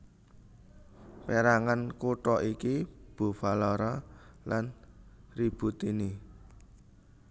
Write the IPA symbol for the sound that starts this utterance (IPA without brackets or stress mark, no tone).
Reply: p